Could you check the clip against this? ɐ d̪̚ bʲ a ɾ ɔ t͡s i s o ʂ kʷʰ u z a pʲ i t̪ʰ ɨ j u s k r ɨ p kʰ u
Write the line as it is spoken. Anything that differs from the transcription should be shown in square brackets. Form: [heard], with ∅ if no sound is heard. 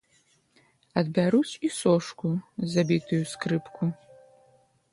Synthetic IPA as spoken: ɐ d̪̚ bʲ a ɾ [u] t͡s i s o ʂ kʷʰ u z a [bʲ] i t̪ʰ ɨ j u s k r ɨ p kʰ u